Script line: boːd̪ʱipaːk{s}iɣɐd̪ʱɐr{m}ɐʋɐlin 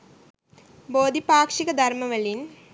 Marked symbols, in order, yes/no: no, yes

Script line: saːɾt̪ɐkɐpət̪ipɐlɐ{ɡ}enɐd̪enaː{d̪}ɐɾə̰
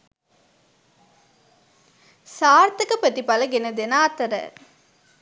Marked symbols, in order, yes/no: yes, no

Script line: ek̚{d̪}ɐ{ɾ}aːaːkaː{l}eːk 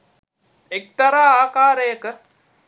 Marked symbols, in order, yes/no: no, yes, no

